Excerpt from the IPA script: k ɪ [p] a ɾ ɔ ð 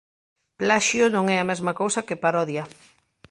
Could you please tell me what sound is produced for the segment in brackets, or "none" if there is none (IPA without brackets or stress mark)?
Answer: p